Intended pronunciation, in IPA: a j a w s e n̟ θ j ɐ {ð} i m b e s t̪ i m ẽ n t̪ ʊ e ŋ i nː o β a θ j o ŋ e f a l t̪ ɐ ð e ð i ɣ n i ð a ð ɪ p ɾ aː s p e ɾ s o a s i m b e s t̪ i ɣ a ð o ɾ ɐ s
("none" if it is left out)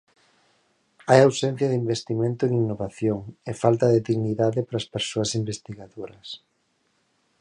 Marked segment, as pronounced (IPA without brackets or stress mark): ð